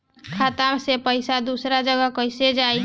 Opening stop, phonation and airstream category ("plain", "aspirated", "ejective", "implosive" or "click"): aspirated